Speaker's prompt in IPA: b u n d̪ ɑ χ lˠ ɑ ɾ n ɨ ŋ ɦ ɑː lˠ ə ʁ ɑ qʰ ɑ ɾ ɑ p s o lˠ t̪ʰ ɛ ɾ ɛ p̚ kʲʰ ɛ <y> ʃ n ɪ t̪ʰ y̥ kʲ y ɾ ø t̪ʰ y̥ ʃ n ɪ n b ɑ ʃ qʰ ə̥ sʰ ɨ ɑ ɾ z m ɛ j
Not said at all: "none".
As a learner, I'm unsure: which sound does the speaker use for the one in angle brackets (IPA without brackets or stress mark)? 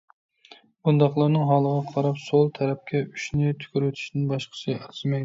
y